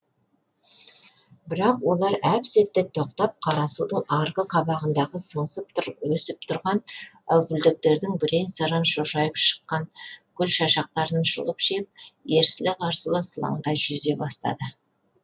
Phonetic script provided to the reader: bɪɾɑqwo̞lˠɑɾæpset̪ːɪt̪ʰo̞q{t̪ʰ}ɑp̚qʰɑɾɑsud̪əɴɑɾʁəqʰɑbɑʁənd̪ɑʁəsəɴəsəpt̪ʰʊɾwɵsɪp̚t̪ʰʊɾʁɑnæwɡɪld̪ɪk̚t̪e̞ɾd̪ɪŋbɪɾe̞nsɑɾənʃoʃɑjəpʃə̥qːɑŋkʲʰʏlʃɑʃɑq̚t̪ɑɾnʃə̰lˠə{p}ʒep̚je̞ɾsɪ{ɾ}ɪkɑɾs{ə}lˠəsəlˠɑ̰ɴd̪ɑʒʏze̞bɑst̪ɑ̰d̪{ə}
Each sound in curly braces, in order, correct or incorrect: incorrect: t̪, correct, incorrect: l, correct, correct

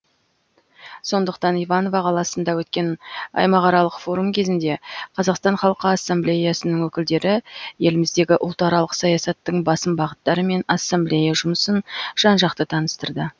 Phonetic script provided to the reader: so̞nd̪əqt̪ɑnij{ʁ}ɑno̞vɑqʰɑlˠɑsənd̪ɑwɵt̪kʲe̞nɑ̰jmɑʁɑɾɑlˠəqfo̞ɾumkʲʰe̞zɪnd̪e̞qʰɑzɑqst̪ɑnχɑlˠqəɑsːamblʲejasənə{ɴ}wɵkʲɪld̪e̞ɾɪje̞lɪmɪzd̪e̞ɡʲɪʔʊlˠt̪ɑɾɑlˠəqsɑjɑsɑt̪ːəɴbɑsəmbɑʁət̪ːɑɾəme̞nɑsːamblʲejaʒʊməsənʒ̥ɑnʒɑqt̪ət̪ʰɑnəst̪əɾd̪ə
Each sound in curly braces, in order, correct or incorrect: incorrect: v, incorrect: ŋ

